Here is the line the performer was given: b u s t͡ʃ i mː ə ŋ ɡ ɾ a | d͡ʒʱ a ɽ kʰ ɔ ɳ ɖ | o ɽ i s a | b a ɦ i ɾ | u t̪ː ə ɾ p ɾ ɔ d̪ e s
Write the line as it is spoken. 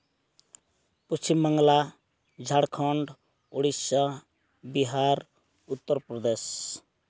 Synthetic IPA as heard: p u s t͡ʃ i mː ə ŋ ɡ l a | d͡ʒʱ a ɽ kʰ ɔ ɳ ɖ | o ɽ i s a | b i ɦ a ɾ | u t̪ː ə ɾ p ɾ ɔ d̪ e s